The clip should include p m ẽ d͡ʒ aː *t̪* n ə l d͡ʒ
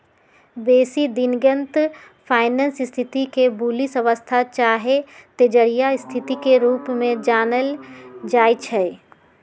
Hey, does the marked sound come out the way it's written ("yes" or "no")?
no